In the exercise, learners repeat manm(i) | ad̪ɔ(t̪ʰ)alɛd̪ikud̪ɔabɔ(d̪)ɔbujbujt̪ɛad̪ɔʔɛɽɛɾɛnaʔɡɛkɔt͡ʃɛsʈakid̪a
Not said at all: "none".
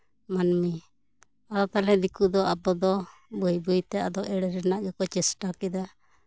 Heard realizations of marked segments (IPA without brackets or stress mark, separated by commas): i, t̪, d̪